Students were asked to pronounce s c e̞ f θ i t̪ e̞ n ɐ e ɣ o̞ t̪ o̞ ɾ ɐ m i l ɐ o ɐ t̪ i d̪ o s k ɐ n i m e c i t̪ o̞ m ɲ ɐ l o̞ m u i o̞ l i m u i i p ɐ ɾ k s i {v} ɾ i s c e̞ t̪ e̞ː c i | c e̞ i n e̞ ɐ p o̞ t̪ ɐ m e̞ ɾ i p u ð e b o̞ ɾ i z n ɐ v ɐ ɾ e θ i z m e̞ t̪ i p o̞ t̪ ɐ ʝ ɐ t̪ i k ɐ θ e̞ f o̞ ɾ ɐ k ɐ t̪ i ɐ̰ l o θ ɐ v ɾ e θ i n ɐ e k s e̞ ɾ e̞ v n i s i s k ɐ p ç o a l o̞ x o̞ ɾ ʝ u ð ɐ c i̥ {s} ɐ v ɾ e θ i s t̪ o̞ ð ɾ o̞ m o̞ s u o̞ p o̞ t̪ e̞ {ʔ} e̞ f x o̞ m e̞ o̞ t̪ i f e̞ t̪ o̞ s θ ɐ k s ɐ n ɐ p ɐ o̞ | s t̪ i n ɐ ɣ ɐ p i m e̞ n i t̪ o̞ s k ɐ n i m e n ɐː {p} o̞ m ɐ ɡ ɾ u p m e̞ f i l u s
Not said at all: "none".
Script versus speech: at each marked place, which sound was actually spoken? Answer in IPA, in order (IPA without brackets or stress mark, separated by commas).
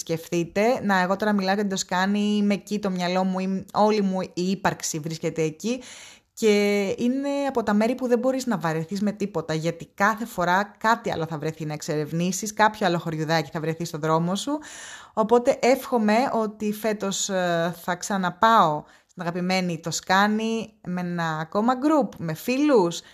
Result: v, θ, ʔ, k